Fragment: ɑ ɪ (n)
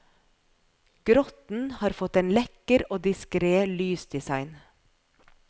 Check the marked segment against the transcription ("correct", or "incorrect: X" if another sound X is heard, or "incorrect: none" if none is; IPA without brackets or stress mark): correct